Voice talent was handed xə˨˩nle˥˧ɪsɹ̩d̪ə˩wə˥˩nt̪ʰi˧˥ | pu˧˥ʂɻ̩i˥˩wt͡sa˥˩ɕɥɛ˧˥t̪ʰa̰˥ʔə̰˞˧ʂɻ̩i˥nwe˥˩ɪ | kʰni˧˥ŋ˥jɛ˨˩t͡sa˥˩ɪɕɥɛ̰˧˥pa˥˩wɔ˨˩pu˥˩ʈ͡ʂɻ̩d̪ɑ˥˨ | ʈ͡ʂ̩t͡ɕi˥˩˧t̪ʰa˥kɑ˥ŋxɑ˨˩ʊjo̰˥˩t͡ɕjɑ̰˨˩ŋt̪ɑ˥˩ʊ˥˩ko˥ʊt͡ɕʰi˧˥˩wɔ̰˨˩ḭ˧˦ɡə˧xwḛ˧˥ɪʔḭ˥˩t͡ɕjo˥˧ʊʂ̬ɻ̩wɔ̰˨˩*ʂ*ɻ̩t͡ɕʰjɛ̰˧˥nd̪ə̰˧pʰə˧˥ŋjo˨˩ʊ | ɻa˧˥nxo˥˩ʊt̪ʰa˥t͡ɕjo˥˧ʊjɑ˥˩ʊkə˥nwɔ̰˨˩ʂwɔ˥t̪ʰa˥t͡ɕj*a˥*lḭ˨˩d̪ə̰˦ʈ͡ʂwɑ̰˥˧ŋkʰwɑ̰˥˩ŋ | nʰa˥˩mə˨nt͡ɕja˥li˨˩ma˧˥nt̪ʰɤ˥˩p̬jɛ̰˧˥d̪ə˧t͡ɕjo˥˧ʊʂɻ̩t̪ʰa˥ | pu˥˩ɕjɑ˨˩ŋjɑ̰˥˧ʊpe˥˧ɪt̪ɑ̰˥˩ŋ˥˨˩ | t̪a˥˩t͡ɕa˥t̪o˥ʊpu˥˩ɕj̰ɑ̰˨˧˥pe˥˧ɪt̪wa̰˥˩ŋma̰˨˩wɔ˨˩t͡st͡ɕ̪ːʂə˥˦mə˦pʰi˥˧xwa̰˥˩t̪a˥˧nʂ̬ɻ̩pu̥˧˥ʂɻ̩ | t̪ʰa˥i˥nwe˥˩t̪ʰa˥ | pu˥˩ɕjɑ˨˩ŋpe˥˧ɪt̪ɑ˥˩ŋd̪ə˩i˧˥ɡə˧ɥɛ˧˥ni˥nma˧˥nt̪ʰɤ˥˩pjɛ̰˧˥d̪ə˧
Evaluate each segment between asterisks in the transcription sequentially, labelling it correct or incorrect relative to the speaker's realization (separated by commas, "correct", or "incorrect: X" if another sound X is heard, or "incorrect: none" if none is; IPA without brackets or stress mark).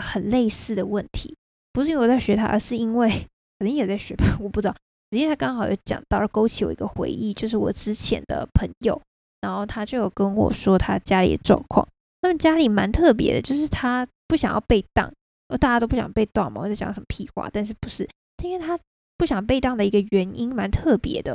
incorrect: ʈ͡ʂ, correct